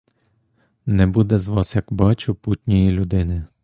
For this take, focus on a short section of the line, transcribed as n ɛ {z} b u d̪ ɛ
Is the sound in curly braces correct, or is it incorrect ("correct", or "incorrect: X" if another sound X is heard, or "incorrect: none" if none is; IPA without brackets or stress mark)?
incorrect: none